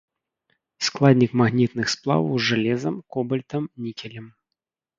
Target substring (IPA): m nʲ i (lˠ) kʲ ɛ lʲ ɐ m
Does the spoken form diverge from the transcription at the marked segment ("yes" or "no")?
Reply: yes